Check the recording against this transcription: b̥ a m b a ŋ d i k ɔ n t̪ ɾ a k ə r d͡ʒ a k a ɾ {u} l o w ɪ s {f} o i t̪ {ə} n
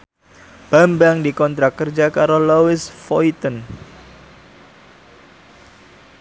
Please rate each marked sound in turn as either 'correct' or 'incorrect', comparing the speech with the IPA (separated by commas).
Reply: incorrect, correct, correct